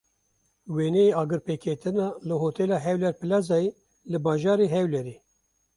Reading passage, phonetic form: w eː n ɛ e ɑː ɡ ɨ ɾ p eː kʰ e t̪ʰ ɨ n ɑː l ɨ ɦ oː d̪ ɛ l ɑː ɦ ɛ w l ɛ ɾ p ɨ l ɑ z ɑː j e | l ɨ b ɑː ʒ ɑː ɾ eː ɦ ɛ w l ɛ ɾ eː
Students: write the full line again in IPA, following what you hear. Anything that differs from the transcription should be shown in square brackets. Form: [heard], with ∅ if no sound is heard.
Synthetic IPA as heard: w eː n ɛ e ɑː ɡ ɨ ɾ p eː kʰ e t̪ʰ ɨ n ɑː l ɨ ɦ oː [t̪] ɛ l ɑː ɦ ɛ w l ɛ ɾ p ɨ l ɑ z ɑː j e | l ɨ b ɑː ʒ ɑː ɾ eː ɦ ɛ w l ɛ ɾ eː